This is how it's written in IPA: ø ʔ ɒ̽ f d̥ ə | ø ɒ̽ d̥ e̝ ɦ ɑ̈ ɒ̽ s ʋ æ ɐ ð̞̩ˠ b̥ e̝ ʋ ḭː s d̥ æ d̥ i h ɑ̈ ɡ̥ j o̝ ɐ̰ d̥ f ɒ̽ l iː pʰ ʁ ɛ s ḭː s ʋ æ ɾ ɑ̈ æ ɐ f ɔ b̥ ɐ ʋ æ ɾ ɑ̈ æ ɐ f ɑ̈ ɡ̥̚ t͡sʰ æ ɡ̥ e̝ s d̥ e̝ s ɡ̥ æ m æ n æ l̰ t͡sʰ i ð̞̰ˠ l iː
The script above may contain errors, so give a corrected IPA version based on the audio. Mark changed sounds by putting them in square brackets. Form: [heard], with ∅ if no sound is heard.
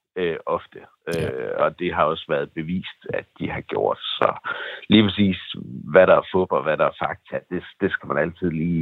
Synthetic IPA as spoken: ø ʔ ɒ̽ f d̥ ə | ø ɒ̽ d̥ e̝ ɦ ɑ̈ ɒ̽ s ʋ æ ɐ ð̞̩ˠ b̥ e̝ ʋ ḭː s d̥ æ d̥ i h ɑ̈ ɡ̥ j o̝ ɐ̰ d̥ [s] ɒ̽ l iː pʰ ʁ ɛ s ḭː s ʋ æ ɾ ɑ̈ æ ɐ f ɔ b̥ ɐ ʋ æ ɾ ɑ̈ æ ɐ f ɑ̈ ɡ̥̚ t͡sʰ æ [d̥] e̝ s d̥ e̝ s ɡ̥ æ m æ n æ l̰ t͡sʰ i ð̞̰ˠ l iː